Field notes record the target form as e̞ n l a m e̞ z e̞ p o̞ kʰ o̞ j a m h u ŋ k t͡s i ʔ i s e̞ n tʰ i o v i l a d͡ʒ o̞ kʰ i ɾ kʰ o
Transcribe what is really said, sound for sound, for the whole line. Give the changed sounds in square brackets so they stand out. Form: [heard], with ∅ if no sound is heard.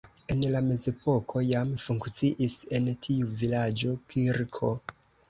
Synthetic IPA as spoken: e̞ n l a m e̞ z e̞ p o̞ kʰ o̞ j a m [f] u ŋ k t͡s i ʔ i s e̞ n tʰ i [u] v i l a d͡ʒ o̞ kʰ i ɾ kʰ o